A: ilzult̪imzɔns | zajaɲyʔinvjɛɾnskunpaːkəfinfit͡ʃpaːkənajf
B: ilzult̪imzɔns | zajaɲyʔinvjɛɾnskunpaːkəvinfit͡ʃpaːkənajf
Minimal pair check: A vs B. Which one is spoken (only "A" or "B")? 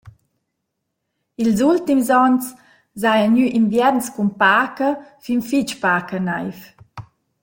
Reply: A